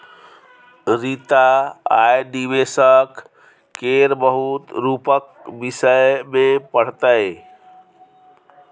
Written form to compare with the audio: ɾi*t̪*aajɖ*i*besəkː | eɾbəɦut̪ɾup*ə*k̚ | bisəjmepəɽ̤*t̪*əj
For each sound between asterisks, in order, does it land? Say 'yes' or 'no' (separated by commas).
yes, yes, yes, yes